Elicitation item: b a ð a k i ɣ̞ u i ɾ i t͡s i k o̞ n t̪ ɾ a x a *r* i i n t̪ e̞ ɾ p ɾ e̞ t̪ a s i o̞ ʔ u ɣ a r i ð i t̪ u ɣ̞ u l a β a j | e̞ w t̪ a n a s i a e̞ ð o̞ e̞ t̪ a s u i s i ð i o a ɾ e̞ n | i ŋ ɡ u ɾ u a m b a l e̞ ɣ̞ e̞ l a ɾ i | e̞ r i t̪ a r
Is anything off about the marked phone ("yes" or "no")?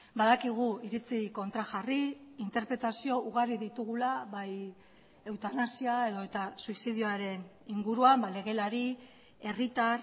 no